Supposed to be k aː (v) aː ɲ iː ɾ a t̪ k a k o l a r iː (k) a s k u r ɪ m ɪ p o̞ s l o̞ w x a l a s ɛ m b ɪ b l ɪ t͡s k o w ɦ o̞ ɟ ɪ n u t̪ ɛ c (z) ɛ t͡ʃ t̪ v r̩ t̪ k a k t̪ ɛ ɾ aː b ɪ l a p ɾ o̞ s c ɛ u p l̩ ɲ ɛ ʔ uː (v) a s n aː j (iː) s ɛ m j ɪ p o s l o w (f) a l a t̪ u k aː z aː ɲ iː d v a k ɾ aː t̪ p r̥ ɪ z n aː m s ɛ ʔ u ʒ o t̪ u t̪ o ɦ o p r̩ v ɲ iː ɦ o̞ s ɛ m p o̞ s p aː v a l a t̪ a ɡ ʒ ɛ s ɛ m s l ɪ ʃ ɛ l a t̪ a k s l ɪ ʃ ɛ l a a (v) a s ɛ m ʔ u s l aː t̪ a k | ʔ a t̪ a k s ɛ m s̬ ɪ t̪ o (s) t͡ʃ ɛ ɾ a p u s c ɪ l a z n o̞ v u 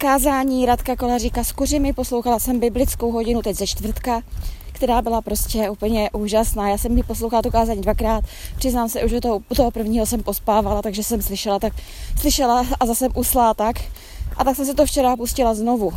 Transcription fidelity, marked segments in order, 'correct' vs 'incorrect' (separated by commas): incorrect, correct, correct, incorrect, incorrect, incorrect, incorrect, incorrect